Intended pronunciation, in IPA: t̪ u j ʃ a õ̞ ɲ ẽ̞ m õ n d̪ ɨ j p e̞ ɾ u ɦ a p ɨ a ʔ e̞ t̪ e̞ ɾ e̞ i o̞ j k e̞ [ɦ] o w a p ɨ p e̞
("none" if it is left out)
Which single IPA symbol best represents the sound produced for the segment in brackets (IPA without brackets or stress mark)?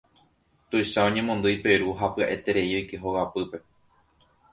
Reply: ɦ